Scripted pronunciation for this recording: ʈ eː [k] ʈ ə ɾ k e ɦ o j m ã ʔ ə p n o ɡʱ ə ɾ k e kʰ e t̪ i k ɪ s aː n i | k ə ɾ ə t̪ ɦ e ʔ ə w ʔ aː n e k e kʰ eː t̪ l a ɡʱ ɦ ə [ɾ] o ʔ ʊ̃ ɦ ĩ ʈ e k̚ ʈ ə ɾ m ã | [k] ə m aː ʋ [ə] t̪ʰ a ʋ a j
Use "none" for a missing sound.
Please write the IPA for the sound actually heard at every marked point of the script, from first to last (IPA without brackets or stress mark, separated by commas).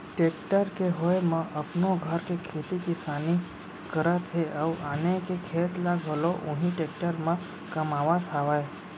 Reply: k, l, k, a